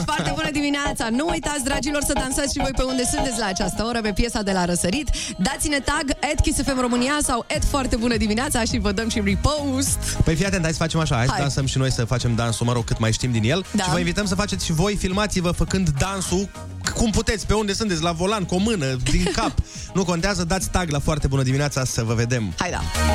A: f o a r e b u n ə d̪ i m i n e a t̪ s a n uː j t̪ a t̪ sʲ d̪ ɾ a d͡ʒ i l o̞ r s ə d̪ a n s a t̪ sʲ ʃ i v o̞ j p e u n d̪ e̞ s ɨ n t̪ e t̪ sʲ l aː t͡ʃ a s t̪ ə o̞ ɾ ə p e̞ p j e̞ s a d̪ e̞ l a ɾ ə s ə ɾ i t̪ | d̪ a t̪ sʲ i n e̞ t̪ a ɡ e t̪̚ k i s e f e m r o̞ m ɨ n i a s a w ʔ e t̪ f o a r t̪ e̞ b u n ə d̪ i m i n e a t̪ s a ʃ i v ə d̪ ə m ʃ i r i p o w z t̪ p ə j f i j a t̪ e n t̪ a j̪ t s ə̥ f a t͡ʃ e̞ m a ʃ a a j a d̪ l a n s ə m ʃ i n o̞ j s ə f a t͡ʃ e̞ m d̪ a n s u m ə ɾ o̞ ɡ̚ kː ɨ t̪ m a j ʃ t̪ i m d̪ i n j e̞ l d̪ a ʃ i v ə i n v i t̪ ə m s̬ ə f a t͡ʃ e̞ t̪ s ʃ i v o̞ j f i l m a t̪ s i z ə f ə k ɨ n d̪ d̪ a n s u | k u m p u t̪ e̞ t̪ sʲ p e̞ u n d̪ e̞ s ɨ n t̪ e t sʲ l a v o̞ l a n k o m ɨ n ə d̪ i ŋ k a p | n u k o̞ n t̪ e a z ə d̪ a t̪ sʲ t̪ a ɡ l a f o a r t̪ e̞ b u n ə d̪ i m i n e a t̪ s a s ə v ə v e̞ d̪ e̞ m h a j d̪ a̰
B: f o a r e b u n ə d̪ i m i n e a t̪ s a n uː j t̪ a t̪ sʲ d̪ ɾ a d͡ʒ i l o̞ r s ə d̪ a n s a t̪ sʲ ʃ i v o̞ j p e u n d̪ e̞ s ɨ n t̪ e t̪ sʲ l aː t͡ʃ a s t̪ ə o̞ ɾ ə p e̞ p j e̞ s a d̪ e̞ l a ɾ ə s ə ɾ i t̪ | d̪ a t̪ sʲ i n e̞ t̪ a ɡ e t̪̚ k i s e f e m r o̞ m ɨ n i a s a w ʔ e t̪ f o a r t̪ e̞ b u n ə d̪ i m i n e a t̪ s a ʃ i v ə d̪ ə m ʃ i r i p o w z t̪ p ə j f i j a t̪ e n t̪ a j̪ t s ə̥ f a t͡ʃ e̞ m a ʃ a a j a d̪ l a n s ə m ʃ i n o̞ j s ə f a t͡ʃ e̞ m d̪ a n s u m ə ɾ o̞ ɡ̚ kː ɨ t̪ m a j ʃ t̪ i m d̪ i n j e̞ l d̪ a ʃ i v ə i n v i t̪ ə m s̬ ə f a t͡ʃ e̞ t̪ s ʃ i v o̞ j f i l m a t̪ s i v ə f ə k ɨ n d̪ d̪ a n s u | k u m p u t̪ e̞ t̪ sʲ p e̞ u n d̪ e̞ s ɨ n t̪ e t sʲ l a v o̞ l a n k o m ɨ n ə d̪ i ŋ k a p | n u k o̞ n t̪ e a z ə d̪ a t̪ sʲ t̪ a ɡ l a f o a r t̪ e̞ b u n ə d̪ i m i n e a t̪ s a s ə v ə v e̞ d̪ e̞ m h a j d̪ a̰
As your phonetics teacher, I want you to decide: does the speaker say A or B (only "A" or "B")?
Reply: B